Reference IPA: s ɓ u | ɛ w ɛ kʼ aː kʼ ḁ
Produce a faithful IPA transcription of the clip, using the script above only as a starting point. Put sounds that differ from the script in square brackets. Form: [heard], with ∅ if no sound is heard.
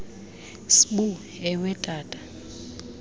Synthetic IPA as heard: s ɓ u | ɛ w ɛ [tʼ] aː [tʼ] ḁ